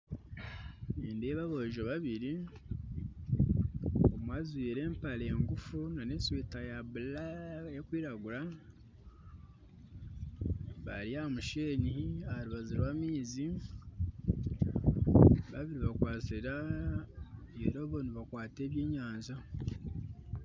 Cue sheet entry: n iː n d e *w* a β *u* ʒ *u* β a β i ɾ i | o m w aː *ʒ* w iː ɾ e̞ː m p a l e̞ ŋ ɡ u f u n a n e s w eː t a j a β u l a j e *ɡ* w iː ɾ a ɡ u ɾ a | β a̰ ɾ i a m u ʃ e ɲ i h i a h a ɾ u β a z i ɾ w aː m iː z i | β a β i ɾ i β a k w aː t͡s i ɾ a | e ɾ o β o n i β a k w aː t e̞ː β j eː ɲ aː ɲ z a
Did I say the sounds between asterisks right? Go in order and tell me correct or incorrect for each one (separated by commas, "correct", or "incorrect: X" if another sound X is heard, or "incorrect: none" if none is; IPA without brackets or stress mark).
incorrect: β, incorrect: o, incorrect: o, incorrect: z, incorrect: k